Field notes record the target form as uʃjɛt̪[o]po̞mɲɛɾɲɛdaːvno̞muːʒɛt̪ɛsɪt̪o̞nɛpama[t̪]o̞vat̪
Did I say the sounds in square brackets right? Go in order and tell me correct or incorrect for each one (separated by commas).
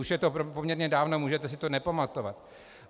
correct, correct